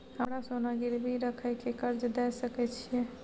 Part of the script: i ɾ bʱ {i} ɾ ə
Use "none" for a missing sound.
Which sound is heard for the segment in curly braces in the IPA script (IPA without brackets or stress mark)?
i